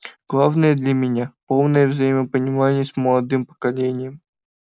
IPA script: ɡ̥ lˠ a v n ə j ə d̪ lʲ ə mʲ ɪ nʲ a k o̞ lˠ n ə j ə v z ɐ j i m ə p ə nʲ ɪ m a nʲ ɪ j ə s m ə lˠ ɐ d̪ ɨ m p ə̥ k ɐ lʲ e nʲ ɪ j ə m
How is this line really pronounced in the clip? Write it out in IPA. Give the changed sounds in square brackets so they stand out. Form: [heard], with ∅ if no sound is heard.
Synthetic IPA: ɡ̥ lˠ a v n ə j ə d̪ lʲ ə mʲ ɪ nʲ a [p] o̞ lˠ n ə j ə v z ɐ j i m ə p ə nʲ ɪ m a nʲ ɪ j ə s m ə lˠ ɐ d̪ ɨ m p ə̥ k ɐ lʲ e nʲ ɪ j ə m